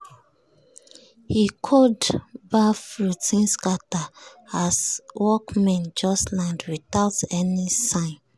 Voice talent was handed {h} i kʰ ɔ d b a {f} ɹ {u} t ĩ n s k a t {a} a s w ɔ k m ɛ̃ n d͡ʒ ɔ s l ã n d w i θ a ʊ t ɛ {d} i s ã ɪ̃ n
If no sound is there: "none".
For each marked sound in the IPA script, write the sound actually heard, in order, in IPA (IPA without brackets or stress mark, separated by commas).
h, f, u, a, n